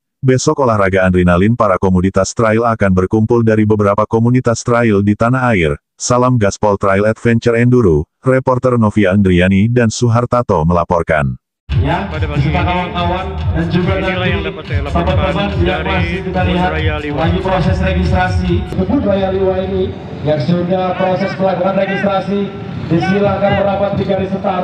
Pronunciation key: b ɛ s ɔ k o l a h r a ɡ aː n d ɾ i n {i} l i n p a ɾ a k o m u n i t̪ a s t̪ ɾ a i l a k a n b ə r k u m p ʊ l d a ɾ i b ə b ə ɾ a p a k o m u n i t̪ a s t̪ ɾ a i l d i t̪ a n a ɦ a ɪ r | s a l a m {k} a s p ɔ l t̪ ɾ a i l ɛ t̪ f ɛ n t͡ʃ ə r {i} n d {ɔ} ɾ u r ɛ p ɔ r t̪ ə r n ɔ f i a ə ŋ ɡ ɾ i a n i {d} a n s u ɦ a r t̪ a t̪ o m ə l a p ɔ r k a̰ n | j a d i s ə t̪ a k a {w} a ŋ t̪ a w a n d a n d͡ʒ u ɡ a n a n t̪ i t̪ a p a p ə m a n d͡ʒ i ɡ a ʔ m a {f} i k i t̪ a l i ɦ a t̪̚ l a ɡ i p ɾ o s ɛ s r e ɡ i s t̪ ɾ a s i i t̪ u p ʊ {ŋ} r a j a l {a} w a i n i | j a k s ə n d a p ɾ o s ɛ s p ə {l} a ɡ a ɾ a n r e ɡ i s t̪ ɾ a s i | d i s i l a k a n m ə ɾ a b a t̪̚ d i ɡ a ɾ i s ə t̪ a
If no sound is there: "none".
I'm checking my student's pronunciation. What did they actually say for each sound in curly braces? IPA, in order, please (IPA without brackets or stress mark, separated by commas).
a, ɡ, ɛ, u, d, w, s, n, i, l